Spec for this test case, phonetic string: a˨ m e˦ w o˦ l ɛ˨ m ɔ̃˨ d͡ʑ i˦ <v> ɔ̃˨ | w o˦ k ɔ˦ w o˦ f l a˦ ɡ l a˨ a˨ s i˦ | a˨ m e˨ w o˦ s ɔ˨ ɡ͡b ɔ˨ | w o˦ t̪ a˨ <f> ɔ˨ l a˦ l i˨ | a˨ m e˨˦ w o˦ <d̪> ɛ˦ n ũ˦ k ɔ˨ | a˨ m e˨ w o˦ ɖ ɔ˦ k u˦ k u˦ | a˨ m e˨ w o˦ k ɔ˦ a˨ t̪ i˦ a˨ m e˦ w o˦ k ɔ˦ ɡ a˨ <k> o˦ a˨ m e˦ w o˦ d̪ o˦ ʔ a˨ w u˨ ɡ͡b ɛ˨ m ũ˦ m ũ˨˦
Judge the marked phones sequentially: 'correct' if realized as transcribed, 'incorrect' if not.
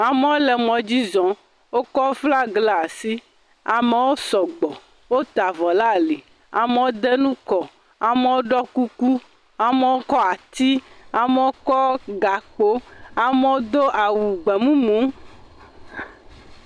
incorrect, incorrect, correct, incorrect

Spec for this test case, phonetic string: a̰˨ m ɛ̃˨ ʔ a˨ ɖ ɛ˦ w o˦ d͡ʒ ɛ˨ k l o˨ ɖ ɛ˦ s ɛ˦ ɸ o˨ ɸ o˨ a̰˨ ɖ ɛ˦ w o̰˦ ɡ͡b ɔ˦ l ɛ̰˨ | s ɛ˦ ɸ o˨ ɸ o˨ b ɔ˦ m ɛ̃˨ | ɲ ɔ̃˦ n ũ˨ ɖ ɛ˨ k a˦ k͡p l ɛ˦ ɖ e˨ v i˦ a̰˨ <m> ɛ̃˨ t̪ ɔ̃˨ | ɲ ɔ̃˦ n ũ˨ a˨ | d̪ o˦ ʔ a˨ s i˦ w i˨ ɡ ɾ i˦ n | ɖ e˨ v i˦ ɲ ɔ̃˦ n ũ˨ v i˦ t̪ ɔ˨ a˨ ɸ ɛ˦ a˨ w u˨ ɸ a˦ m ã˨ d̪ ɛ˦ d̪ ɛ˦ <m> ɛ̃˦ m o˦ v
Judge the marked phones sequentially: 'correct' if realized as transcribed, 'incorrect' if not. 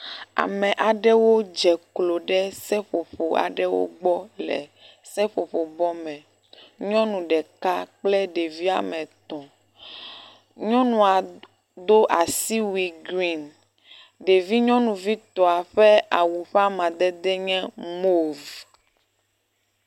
correct, incorrect

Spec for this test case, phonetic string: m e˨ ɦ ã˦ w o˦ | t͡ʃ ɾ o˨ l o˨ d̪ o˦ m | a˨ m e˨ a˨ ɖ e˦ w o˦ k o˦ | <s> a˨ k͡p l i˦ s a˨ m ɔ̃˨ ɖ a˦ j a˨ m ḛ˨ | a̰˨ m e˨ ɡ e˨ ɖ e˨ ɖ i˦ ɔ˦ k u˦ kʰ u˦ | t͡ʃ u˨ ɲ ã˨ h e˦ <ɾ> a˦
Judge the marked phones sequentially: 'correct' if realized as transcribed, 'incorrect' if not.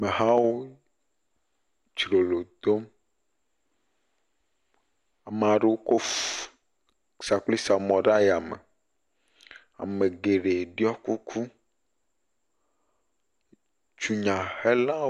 correct, incorrect

